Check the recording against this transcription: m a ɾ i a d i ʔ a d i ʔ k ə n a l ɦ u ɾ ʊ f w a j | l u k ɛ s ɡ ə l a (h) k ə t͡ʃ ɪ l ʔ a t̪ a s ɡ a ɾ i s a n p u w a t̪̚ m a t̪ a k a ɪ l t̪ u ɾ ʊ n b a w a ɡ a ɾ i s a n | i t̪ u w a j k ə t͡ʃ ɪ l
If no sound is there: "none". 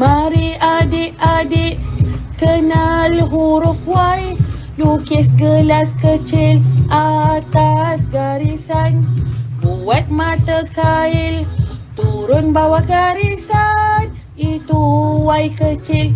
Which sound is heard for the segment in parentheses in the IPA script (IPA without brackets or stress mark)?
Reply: s